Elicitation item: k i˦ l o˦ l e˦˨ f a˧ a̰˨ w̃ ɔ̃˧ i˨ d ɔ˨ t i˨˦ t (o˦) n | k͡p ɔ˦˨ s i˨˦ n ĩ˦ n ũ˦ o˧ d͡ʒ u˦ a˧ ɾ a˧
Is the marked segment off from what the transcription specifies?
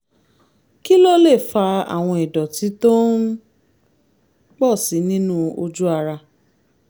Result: no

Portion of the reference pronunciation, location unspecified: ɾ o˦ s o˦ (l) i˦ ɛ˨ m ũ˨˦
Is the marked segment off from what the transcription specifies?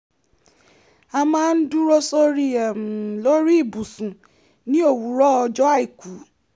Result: yes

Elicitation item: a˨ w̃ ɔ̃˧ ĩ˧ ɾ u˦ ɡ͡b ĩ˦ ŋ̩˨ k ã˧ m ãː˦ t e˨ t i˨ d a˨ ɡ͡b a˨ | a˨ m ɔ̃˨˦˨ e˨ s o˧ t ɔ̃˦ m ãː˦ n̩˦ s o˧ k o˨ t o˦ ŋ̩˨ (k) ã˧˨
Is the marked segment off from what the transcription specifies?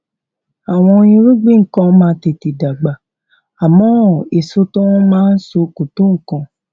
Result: no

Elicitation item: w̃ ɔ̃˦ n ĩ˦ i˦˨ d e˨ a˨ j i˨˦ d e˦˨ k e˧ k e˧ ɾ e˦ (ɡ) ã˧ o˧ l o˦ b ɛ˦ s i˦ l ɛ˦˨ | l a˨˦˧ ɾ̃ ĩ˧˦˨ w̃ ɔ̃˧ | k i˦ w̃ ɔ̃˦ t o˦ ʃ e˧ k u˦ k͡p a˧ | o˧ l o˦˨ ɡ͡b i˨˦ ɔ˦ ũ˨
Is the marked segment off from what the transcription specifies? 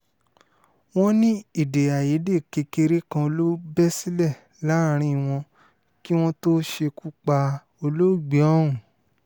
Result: yes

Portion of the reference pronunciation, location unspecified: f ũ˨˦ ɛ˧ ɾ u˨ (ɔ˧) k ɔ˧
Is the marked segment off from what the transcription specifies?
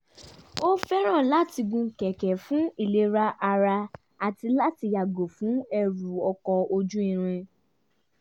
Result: no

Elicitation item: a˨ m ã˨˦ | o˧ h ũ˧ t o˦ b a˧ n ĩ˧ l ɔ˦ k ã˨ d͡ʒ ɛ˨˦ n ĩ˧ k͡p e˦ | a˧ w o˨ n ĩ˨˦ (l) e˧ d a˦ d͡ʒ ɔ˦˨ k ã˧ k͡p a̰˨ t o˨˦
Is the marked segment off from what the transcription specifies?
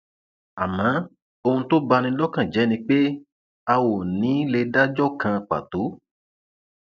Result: no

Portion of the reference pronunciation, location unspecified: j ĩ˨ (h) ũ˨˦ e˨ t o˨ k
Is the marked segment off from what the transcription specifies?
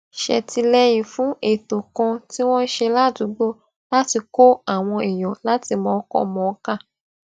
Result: yes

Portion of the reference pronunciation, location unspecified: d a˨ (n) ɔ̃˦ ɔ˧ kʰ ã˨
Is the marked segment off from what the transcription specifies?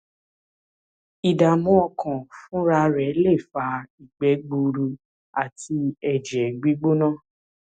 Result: yes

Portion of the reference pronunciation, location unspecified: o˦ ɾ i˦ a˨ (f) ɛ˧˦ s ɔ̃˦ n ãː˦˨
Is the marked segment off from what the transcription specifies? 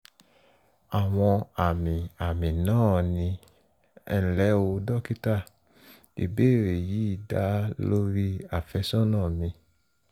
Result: no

